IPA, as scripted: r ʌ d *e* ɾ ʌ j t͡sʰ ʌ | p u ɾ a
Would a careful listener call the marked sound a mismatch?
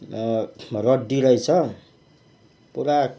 yes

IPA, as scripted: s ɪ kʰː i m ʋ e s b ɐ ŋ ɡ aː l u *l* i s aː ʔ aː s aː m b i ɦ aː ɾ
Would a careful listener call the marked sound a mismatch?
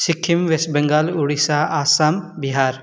yes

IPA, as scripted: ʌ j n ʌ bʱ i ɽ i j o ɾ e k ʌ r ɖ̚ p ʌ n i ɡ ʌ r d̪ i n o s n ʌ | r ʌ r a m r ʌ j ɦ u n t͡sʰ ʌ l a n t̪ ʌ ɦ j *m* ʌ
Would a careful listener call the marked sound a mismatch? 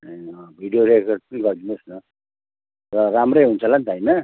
yes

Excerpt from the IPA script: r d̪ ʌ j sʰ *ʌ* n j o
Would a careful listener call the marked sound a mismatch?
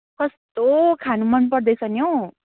no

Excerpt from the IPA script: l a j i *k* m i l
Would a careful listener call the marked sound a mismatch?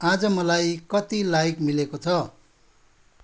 no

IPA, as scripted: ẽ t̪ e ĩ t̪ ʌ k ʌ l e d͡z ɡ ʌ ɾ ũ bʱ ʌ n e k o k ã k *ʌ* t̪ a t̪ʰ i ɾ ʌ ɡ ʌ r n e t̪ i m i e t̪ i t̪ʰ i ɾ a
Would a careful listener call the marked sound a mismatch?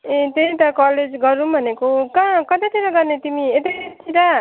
no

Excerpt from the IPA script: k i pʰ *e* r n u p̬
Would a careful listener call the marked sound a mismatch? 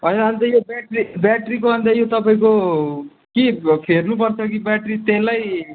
no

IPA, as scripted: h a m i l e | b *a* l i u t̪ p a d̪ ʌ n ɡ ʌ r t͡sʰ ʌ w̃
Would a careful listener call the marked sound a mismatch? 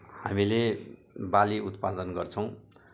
no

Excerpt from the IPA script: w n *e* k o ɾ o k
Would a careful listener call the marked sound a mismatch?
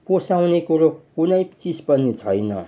no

